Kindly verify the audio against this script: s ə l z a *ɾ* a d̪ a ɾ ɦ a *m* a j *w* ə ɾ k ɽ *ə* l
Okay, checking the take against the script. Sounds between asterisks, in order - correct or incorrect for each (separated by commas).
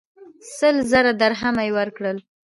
correct, correct, correct, correct